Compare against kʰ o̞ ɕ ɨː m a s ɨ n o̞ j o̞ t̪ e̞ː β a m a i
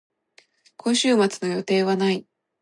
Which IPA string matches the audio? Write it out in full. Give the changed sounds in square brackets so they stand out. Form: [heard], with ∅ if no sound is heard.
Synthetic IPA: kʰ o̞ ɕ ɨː m a [t͡s] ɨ n o̞ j o̞ t̪ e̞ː β a [n] a i